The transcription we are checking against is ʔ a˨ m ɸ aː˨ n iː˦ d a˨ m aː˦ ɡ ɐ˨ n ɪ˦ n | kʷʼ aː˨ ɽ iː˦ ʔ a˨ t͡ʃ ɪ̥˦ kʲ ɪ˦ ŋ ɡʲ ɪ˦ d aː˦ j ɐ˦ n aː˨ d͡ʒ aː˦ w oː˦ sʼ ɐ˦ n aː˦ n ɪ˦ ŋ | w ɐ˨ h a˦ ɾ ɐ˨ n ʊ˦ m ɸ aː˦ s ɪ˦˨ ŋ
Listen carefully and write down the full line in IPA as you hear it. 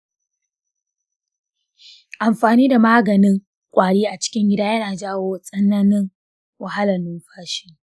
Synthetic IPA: ʔ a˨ m ɸ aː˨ n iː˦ d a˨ m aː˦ ɡ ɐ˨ n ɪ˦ ŋ | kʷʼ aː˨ ɽ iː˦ ʔ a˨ t͡ʃ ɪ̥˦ kʲ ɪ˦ ŋ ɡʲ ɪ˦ d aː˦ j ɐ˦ n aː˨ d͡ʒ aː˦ w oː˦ sʼ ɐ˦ n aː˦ n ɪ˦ ŋ | w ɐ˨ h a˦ l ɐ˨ n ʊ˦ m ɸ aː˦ ʃ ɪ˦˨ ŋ